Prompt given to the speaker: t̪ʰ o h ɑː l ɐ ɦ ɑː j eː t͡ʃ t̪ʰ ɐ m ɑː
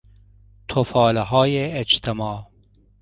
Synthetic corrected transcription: t̪ʰ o f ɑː l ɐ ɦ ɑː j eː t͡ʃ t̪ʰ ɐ m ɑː